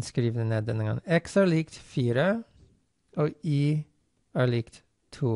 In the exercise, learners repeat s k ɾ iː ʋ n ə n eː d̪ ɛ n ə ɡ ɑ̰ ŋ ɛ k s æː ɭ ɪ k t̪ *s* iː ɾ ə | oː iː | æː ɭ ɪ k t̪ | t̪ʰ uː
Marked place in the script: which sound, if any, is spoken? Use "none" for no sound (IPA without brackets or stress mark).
f